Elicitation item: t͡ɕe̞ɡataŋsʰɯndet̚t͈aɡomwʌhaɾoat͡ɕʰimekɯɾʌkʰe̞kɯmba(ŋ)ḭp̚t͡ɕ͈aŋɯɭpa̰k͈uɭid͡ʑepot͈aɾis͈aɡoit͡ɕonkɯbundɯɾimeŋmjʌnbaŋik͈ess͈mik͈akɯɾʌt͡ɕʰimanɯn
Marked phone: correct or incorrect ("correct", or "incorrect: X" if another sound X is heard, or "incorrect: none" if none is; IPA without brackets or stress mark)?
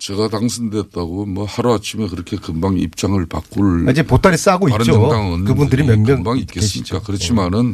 correct